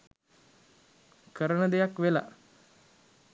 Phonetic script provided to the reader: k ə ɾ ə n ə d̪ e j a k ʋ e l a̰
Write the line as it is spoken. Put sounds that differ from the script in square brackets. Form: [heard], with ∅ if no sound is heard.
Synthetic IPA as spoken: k ə ɾ ə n ə d̪ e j a k ʋ e l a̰